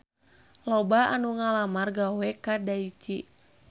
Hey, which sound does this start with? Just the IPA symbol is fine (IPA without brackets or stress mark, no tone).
l